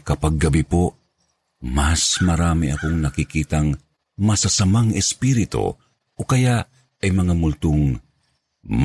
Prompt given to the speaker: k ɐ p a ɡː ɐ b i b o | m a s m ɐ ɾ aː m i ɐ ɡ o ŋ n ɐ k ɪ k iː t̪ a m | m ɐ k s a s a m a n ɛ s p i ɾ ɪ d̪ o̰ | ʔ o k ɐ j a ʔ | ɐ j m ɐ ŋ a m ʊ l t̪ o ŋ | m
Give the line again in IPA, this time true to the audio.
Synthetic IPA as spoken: k ɐ p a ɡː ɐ b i p o | m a s m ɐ ɾ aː m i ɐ k o ŋ n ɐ k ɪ k iː t̪ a ŋ | m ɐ s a s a m a ŋ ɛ s p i ɾ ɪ t̪ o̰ | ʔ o k ɐ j a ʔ | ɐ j m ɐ ŋ a m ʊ l t̪ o ŋ | m